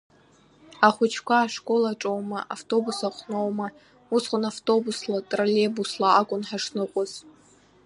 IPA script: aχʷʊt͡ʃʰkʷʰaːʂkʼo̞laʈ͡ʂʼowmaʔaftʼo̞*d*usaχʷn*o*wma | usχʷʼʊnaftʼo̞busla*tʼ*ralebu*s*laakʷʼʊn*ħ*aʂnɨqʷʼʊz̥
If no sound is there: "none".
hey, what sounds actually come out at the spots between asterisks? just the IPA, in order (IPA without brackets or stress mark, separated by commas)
b, o, tʼ, s, ħ